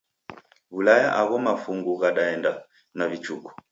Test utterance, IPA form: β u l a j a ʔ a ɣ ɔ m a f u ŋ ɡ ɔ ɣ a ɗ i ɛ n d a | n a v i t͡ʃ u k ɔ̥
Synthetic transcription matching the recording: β u l a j a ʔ a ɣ ɔ m a f u ŋ ɡ u ɣ a ɗ a ɛ n d a | n a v i t͡ʃ u k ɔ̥